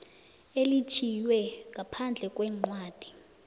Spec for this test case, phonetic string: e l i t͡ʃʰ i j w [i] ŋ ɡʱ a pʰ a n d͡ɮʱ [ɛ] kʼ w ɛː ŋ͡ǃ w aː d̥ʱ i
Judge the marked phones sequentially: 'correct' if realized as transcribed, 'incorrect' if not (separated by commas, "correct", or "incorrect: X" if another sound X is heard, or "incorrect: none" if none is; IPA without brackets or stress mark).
incorrect: ɛ, correct